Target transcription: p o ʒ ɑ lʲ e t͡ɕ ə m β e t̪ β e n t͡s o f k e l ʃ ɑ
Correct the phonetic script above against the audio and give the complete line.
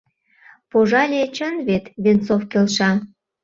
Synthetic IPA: p o ʒ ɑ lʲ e t͡ɕ ə n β e t̪ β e n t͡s o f k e l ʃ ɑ